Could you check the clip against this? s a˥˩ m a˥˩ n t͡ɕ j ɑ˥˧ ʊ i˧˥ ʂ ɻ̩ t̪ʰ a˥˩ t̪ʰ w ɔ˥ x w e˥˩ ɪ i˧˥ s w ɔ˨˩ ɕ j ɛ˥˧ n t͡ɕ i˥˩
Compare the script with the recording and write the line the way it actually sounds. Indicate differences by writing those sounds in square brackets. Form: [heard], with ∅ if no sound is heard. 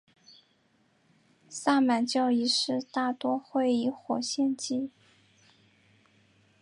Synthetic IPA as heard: s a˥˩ m [a˨˩] n t͡ɕ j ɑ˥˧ ʊ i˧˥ ʂ ɻ̩ [t̪] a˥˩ [t̪] w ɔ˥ x w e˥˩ ɪ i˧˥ [x] w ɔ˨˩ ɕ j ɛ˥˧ n t͡ɕ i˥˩